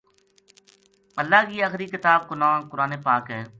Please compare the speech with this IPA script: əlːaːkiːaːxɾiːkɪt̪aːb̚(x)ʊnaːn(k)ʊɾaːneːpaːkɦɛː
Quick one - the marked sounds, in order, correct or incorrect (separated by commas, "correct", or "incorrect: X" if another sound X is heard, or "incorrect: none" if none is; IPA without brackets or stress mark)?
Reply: incorrect: k, correct